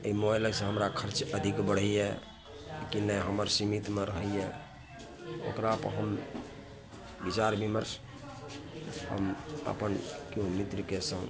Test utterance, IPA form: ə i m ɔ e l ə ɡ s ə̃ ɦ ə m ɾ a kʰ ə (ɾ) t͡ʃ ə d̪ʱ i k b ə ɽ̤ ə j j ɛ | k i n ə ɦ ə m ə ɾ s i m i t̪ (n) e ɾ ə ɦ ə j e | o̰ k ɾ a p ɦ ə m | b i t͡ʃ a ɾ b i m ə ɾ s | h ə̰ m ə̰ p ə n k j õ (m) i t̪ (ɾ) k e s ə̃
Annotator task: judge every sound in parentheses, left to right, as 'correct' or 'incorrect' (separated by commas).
correct, incorrect, correct, correct